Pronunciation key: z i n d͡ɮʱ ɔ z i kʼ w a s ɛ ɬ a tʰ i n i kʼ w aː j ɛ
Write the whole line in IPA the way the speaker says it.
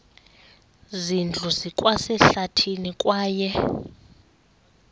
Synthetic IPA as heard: z i n d͡ɮʱ u z i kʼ w a s ɛ ɬ a tʰ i n i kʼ w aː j ɛ